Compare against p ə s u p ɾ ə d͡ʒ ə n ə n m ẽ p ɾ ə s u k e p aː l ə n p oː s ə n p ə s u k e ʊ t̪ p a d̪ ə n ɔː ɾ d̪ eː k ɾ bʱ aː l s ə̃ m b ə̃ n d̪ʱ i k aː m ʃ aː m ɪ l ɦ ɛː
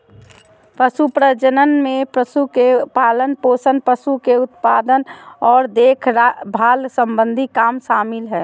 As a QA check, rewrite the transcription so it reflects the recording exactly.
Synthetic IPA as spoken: p ə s u p ɾ ə d͡ʒ ə n ə n m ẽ p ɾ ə s u k e p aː l ə n p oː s ə n p ə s u k e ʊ t̪ p a d̪ ə n ɔː ɾ d̪ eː kʰ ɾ bʱ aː l s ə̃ m b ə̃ n d̪ʱ i k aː m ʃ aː m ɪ l ɦ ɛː